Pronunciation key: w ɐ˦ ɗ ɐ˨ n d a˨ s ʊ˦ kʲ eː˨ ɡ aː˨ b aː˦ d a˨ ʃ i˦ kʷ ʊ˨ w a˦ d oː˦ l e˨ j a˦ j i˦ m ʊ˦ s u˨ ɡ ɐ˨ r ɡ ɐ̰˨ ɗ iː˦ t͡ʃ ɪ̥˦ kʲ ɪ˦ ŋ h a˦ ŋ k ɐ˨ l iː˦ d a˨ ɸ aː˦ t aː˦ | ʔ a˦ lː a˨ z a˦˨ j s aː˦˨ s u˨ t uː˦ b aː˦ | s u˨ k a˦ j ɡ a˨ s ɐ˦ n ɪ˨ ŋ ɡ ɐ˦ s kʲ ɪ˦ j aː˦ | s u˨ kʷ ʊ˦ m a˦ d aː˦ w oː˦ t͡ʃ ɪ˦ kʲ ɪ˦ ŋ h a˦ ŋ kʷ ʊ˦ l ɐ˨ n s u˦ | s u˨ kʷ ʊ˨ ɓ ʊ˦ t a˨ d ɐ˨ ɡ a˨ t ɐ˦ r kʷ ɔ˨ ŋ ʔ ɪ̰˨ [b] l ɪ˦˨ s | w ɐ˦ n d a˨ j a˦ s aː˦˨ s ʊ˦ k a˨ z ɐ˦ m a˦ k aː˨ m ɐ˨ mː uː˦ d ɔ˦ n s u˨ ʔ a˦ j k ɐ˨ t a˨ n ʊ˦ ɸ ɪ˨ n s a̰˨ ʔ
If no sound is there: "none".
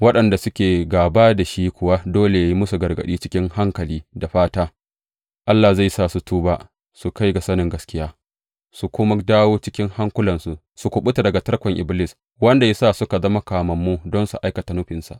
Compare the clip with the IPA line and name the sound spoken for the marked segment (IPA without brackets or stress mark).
b